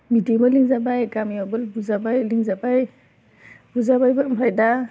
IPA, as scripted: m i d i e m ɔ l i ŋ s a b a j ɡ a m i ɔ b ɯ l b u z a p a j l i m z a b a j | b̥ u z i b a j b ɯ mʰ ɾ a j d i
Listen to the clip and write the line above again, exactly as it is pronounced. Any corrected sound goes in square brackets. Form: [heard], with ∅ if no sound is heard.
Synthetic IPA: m i d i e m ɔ l i ŋ [z] a b a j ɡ a m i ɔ b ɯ l b u z a [b] a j l i [ŋ] z a b a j | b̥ u z [a] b a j b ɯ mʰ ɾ a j d [a]